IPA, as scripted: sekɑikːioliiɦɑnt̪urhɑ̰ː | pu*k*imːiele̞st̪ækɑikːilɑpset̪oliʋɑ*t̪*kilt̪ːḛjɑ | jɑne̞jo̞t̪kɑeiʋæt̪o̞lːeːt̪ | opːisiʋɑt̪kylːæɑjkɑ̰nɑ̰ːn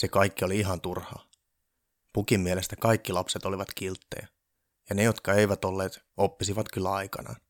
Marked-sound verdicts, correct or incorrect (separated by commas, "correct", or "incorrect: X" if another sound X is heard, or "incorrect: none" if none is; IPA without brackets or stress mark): correct, correct